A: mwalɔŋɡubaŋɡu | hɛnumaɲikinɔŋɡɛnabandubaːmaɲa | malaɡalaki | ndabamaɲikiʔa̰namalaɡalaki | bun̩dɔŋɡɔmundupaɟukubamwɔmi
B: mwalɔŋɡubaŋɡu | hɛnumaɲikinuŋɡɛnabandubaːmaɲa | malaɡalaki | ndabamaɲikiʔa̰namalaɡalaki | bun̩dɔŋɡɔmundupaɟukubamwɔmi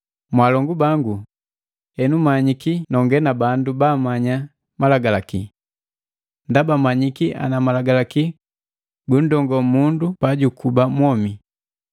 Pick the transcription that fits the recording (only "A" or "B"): A